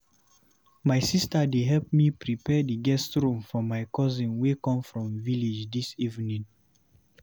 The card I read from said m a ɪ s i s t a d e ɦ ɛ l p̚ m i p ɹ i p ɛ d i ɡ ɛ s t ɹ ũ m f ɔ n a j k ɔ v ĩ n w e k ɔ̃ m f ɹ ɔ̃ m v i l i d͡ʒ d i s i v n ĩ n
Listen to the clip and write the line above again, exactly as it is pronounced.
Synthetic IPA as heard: m a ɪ s i s t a d e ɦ ɛ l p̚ m i p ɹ i p ɛ d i ɡ ɛ s t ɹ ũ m f ɔ m a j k ɔ z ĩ n w e k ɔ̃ m f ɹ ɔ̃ m v i l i d͡ʒ d i s i v n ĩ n